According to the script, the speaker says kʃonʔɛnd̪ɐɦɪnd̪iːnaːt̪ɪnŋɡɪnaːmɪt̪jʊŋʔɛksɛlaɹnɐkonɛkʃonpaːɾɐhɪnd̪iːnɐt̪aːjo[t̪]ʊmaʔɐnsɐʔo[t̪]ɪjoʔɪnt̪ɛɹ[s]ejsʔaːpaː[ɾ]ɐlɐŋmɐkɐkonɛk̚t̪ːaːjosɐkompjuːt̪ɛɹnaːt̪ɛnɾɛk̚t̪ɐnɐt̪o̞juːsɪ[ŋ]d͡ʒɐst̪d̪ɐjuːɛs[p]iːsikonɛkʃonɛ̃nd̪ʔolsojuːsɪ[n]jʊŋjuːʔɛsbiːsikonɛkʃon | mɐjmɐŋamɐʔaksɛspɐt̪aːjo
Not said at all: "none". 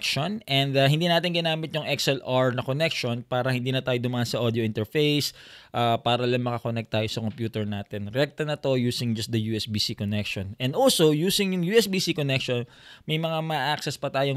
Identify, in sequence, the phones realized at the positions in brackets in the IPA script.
d̪, d̪, f, ɾ, ŋ, b, ŋ

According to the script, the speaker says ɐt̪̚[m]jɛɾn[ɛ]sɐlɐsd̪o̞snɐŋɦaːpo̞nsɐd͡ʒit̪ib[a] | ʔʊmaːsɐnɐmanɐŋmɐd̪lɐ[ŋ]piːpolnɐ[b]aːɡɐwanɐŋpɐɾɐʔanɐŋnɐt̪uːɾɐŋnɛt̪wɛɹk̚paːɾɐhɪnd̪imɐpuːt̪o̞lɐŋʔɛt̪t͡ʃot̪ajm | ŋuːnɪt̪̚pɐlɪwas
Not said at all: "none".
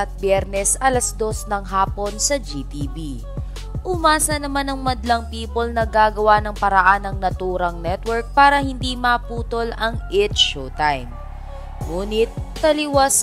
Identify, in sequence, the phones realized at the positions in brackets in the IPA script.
b, ɛ, i, ŋ, ɡ

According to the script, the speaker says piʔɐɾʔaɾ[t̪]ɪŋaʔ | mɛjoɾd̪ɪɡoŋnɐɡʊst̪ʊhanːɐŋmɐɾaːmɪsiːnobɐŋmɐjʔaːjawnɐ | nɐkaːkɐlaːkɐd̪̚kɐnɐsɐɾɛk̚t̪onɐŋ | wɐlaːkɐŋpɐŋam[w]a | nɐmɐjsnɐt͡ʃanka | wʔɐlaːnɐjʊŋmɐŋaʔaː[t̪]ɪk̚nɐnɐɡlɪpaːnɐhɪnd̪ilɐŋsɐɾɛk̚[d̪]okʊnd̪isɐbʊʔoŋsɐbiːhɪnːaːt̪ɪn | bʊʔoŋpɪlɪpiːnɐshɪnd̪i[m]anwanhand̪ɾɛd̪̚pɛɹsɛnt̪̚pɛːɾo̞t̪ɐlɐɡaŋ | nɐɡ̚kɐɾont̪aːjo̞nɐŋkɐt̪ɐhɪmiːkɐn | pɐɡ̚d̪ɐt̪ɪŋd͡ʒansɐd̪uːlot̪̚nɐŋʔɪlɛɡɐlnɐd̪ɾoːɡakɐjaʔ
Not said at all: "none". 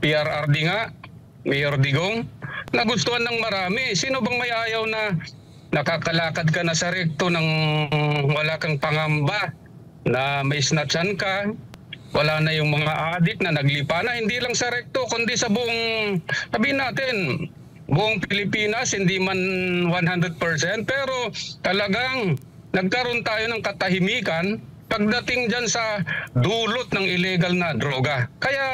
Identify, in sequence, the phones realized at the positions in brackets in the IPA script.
d̪, b, d̪, t̪, m

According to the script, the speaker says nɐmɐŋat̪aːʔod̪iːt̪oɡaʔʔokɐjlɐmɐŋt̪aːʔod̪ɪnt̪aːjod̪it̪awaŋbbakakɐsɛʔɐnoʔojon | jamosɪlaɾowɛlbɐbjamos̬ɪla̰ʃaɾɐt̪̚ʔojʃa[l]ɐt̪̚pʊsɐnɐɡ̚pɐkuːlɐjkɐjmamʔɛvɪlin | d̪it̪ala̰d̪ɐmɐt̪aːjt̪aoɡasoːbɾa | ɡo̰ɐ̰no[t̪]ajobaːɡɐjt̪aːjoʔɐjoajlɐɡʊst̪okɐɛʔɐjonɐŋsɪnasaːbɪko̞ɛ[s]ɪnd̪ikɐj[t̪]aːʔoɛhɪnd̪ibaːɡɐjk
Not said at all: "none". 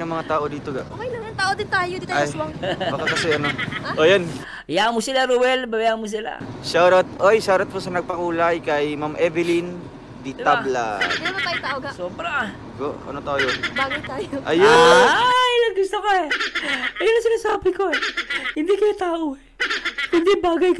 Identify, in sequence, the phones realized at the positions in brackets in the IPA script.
ɾ, t̪, h, t̪

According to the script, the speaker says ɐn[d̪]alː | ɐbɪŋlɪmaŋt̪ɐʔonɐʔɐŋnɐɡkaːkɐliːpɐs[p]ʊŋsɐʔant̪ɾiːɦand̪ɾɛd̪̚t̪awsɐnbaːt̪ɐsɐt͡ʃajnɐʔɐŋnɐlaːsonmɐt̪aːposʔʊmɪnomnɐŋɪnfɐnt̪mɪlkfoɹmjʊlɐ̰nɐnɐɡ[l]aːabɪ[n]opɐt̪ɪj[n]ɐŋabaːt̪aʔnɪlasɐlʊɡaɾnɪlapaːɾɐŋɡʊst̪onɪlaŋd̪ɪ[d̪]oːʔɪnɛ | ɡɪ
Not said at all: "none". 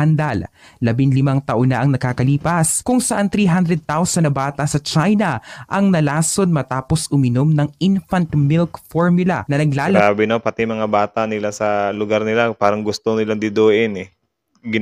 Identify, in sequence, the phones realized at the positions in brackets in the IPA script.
d̪, k, l, n, m, d̪

